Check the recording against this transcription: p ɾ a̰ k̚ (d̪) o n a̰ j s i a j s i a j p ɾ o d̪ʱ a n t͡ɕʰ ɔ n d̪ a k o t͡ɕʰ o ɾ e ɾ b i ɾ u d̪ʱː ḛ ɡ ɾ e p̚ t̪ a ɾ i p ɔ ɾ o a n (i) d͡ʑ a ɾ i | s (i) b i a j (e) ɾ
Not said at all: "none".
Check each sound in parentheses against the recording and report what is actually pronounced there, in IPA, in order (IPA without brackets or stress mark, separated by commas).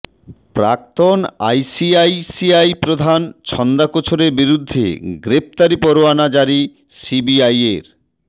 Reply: t̪, a, i, e